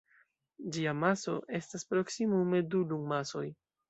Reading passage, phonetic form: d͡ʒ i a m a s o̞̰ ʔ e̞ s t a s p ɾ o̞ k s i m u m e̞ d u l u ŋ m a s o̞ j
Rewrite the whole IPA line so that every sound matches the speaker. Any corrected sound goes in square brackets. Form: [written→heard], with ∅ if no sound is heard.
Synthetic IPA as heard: d͡ʒ i a m a s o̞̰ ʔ e̞ s t a s p ɾ o̞ k s i m u m e̞ d u l u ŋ m a s o̞ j